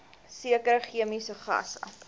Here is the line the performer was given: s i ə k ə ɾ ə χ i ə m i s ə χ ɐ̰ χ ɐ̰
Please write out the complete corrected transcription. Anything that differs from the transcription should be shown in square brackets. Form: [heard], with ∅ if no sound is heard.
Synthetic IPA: s i ə k ə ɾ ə χ i ə m i s ə χ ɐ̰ [s] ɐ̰